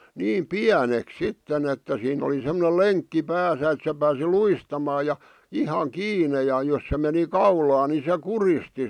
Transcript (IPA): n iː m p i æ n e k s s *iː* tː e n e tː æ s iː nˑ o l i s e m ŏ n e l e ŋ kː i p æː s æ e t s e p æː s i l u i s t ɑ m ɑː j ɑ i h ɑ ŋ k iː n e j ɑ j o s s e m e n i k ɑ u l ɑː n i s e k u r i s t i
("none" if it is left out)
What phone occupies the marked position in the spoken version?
i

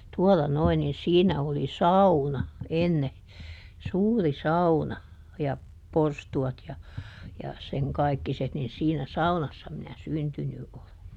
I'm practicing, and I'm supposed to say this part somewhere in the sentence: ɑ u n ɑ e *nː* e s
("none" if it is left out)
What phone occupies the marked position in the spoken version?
nː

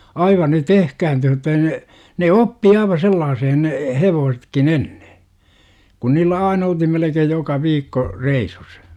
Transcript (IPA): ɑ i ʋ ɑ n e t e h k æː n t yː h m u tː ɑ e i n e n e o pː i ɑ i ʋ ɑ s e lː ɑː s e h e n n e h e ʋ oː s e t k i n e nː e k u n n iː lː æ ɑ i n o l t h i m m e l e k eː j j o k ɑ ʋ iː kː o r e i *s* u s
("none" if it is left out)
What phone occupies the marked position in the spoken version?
s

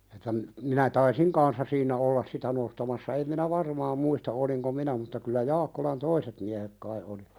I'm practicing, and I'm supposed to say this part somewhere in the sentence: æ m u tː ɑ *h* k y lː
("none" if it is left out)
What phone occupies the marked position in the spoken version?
none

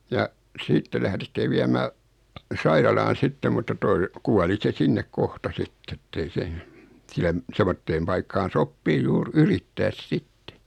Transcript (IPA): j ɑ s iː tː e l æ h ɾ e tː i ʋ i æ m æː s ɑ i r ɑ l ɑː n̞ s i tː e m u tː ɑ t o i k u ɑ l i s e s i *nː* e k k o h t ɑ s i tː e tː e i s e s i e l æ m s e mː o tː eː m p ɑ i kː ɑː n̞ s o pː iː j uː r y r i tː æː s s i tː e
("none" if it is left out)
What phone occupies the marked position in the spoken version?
nː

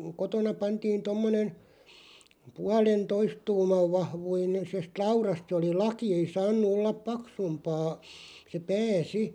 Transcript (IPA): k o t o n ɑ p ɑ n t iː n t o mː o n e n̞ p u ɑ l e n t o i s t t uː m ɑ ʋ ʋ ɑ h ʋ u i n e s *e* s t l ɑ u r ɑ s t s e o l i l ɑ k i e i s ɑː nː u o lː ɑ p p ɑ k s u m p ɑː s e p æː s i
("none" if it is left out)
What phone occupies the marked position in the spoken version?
e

